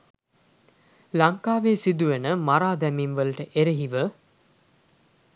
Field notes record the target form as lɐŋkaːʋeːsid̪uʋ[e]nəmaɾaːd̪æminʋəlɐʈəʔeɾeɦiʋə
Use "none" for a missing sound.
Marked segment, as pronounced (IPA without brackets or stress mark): e